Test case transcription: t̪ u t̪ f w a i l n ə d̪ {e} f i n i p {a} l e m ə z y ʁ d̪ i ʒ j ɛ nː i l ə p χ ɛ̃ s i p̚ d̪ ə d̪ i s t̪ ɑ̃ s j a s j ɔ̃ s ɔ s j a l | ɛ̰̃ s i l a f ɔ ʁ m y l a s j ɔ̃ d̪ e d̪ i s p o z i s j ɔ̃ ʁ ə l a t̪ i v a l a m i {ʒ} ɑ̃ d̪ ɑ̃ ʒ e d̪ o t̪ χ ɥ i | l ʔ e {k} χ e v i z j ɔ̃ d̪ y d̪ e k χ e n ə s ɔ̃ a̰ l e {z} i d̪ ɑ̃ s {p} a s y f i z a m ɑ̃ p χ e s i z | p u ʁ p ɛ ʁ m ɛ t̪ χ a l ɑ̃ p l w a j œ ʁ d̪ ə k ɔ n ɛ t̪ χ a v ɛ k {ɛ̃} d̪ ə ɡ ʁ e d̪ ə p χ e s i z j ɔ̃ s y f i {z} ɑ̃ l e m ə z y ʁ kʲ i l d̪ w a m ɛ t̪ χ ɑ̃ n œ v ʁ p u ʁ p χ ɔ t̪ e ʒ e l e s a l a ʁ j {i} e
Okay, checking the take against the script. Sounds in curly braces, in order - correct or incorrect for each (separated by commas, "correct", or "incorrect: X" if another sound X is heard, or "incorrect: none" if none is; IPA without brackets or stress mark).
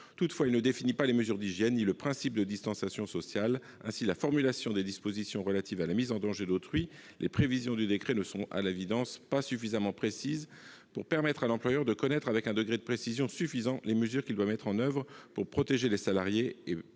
correct, correct, incorrect: z, incorrect: p, incorrect: v, correct, correct, correct, incorrect: e